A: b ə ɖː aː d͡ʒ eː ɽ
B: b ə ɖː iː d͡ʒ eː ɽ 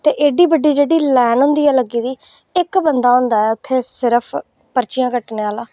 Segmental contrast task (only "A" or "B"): B